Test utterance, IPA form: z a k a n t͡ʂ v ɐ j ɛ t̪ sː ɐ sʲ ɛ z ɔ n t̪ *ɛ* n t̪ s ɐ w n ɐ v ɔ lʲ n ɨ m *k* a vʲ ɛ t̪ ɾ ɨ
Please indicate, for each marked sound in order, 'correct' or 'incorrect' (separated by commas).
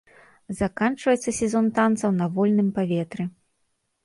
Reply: incorrect, incorrect